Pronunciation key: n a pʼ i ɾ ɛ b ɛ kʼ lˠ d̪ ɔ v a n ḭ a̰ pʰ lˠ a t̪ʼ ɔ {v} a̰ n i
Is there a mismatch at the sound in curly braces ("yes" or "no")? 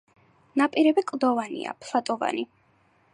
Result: no